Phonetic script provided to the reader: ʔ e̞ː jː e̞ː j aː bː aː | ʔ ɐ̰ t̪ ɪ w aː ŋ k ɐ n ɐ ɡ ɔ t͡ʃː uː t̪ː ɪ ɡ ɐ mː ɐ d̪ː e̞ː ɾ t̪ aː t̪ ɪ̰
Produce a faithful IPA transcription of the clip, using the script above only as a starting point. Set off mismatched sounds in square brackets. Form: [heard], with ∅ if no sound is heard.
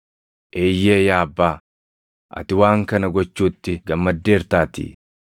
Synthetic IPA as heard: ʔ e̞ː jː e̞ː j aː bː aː | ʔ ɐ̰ t̪ ɪ w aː ŋ k ɐ n ɐ ɡ ɔ t͡ʃː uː t̪ː ɪ ɡ ɐ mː ɐ d̪ː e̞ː ɾ t̪ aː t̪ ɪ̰